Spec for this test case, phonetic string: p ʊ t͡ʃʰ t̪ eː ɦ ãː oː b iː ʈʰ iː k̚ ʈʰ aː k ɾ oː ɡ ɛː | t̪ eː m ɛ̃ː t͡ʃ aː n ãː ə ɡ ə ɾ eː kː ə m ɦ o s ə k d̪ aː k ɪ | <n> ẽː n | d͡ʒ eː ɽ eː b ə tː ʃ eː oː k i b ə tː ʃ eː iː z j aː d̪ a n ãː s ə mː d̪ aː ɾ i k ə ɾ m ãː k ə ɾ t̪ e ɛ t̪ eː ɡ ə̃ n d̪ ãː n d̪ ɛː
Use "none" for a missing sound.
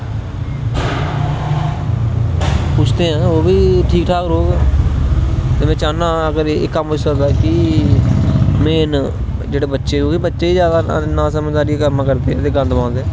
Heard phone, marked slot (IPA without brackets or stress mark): m